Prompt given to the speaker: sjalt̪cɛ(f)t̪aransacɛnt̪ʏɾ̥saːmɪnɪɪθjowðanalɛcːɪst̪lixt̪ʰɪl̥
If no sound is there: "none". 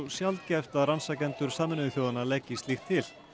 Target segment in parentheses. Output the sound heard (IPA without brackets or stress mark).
f